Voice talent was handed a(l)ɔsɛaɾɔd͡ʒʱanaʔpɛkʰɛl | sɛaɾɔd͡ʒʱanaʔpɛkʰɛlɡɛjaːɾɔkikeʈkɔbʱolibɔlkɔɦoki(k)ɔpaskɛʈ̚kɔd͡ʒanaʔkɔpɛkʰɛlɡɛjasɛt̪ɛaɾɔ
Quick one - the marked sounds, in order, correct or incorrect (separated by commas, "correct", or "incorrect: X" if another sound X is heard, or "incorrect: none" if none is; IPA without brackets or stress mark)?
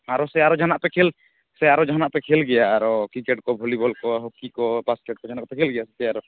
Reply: incorrect: ɾ, correct